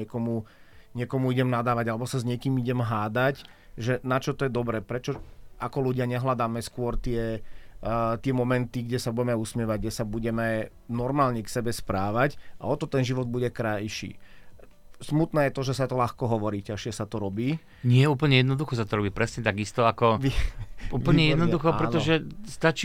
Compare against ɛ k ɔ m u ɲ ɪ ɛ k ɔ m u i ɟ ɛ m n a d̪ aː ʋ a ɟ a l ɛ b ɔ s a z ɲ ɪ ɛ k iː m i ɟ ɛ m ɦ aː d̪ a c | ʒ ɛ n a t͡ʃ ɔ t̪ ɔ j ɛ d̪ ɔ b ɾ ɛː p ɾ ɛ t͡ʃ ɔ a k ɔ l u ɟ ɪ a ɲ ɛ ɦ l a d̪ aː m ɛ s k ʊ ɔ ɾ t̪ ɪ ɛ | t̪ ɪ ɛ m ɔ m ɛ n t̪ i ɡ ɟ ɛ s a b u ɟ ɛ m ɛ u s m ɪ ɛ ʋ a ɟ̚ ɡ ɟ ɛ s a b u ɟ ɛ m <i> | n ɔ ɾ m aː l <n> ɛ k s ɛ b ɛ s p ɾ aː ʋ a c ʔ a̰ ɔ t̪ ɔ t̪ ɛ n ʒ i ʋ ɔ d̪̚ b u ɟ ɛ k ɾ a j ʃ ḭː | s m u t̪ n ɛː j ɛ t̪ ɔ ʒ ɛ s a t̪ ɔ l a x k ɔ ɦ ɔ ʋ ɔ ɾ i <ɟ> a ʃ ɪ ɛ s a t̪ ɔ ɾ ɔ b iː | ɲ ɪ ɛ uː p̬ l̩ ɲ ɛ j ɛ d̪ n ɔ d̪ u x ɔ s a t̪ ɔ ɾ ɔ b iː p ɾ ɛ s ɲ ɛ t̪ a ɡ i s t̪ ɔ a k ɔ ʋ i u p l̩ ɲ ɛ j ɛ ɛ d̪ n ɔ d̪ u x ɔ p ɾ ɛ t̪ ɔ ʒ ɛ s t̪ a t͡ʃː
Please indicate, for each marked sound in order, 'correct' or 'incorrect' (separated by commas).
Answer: incorrect, incorrect, incorrect